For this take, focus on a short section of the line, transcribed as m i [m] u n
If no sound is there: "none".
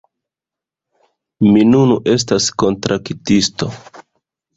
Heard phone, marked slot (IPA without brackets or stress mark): n